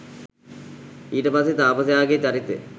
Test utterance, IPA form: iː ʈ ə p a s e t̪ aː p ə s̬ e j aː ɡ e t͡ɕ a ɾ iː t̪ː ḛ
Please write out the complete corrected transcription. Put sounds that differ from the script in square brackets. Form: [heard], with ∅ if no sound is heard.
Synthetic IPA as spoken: iː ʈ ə p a s e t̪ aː p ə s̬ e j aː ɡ e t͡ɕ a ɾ [i] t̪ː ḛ